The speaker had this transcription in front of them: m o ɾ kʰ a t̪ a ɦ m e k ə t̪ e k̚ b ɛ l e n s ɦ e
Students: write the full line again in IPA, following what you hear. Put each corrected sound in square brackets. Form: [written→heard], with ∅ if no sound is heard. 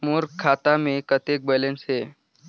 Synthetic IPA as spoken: m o ɾ kʰ a t̪ a [ɦ→∅] m e k ə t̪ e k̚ b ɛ l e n s ɦ e